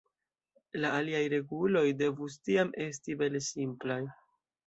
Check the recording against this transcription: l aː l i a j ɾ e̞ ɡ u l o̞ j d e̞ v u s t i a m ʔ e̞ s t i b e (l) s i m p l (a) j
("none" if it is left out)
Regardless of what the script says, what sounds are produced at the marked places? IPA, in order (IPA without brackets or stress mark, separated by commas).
l, a